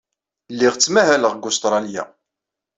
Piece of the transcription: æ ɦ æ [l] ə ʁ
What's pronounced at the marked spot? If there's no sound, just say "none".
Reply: l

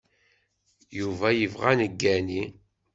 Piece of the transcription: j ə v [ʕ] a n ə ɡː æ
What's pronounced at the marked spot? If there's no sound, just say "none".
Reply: ʁ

